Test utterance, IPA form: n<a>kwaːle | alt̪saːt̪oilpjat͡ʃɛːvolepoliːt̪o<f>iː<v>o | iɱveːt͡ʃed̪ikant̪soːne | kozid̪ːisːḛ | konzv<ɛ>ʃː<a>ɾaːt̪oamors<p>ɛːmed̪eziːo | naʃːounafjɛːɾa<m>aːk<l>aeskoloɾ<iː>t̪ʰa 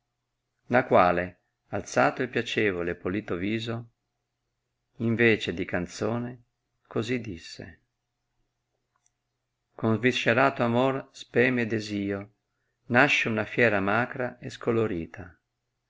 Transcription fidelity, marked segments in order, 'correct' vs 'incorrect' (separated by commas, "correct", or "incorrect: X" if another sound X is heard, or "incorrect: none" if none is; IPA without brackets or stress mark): correct, incorrect: v, incorrect: z, incorrect: i, incorrect: e, correct, correct, incorrect: ɾ, correct